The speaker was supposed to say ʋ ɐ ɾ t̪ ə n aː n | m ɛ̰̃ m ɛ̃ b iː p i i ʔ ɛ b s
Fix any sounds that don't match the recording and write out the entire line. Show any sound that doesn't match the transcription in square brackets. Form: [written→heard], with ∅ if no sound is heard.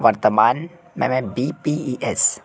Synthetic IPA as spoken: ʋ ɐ ɾ t̪ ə [n→m] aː n | m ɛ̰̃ m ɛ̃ b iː p i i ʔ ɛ [b→∅] s

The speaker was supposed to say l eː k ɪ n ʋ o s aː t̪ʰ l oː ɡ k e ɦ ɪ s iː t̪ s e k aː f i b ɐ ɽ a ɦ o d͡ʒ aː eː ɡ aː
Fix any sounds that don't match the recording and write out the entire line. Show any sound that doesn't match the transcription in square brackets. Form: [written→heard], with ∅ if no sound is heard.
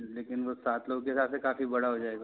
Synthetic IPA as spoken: l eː k ɪ n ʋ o s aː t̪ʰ l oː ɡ k e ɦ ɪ s [iː→aː] t̪ s e k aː f i b ɐ ɽ a ɦ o d͡ʒ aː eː ɡ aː

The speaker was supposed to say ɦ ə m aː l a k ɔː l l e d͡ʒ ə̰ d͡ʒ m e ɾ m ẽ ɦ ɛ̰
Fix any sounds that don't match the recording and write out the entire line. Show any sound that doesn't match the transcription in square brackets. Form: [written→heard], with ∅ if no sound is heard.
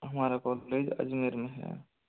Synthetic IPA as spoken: ɦ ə m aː [l→ɾ] a k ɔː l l e d͡ʒ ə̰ d͡ʒ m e ɾ m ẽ ɦ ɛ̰

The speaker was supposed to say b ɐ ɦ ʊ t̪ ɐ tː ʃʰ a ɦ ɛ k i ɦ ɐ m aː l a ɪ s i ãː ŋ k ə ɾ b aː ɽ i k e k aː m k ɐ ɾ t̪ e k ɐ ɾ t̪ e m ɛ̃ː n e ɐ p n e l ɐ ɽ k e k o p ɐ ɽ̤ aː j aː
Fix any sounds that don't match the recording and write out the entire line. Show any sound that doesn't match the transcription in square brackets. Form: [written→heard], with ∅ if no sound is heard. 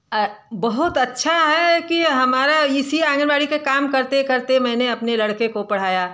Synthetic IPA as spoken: b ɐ ɦ ʊ t̪ ɐ tː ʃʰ a ɦ ɛ k i ɦ ɐ m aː [l→ɾ] a ɪ s i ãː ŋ [k→ɡ] ə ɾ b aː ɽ i k e k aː m k ɐ ɾ t̪ e k ɐ ɾ t̪ e m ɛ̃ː n e ɐ p n e l ɐ ɽ k e k o p ɐ ɽ̤ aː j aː

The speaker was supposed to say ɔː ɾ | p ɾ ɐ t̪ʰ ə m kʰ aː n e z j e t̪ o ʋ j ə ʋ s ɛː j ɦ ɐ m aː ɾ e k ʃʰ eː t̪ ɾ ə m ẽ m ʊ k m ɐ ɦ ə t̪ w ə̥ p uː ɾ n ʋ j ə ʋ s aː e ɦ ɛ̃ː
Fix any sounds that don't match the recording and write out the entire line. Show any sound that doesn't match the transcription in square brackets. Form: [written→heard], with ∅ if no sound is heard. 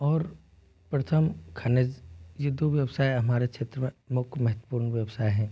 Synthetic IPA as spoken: ɔː ɾ | p ɾ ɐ t̪ʰ ə m kʰ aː n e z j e [t̪→d̪] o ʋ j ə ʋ s [ɛː→aː] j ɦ ɐ m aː ɾ e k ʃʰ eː t̪ ɾ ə m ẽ m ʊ k m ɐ ɦ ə t̪ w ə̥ p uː ɾ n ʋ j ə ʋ s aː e ɦ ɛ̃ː

